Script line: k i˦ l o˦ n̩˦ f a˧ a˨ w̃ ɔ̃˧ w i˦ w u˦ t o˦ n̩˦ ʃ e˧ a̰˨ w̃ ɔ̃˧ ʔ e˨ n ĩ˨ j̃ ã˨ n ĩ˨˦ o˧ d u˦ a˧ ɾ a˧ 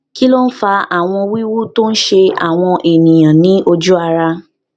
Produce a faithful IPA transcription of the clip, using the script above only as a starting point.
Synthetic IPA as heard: k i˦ l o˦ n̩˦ f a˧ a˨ w̃ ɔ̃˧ w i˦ w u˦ t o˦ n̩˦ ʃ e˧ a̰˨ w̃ ɔ̃˧ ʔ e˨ n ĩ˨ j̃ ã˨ n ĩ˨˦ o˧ d͡ʒ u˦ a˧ ɾ a˧